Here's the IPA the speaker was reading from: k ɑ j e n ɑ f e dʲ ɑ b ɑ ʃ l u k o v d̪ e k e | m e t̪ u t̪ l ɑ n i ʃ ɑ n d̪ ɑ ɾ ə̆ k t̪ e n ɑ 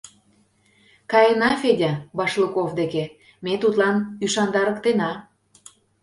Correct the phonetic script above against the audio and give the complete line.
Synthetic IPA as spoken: k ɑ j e n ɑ f e dʲ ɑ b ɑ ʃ l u k o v d̪ e k e | m e t̪ u t̪ l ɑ n y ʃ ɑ n d̪ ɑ ɾ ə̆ k t̪ e n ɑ